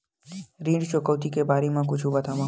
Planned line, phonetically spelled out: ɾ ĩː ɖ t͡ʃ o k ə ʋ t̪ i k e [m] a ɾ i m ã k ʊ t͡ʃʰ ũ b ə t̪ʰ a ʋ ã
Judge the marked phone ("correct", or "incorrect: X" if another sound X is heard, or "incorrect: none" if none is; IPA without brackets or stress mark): incorrect: b